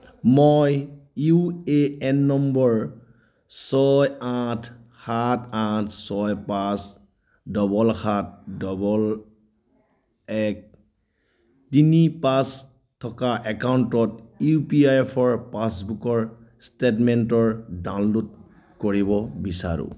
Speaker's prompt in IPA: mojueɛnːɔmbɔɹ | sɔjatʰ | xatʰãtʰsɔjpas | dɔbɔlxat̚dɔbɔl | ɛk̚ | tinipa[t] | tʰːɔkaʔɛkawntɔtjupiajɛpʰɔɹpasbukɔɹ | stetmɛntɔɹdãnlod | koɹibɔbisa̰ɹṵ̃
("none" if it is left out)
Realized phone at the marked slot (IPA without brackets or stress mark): s